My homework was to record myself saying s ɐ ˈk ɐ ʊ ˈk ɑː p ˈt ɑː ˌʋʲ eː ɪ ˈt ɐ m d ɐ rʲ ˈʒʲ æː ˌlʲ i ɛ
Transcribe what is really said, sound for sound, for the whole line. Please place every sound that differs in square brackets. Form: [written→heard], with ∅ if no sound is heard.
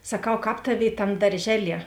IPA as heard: s ɐ ˈk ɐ ʊ ˈk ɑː p ˈt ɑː ˌʋʲ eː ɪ ˈt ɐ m d ɐ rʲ ˈʒʲ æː ˌlʲ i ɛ